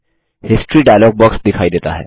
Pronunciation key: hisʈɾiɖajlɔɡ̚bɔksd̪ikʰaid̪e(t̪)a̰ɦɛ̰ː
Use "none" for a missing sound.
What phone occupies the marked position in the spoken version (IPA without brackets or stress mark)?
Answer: t̪